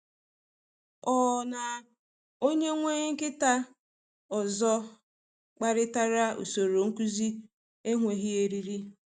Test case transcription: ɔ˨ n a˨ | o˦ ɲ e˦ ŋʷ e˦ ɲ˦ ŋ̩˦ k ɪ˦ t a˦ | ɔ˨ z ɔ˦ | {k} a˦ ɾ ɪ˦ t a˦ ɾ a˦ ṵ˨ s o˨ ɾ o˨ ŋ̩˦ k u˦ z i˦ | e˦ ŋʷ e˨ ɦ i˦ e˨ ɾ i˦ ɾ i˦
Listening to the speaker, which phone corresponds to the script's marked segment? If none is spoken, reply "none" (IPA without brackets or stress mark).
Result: k͡p